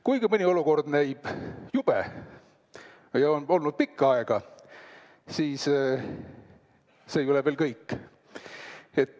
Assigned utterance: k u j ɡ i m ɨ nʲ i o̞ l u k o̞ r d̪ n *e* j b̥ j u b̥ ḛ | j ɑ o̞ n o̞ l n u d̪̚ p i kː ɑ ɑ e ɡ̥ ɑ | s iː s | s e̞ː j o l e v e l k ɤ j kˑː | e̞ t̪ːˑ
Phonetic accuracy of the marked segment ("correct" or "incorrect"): incorrect